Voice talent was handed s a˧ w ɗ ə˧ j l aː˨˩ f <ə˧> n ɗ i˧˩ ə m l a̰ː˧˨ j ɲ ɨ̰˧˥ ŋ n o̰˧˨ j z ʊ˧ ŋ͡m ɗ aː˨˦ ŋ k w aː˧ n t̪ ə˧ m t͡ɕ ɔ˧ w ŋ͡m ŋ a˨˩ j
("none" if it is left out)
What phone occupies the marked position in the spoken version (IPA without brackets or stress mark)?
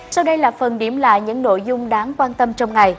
ə˨˩